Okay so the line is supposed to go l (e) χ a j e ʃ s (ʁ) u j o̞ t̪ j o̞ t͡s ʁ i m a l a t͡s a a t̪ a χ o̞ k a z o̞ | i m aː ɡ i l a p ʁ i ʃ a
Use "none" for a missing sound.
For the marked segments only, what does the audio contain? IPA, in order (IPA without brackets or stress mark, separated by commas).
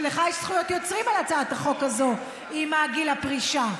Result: e, χ